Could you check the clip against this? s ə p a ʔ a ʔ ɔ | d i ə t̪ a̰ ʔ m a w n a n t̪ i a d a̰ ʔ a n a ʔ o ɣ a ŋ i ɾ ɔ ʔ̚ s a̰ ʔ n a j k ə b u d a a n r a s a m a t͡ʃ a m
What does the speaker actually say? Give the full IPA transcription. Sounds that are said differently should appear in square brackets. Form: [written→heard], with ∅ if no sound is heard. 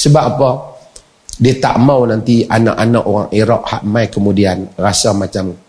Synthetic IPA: s ə [p→b] a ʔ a [ʔ→p] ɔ | d i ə t̪ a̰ ʔ m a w n a n t̪ i a [d→n] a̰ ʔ a n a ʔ o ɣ a ŋ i ɾ ɔ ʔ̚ [s→h] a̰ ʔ [n→m] a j k ə [b→m] u d [a→i] a n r a s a m a t͡ʃ a m